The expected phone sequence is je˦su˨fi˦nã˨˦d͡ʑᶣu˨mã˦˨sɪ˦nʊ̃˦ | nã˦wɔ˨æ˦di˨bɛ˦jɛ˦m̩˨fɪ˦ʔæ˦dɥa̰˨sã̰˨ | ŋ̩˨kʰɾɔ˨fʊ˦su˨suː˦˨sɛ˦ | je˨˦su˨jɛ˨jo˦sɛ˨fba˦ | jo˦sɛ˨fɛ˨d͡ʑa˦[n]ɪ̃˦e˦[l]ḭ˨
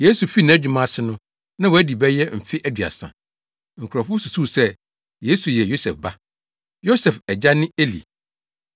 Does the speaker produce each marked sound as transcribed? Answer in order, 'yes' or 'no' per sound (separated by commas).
yes, yes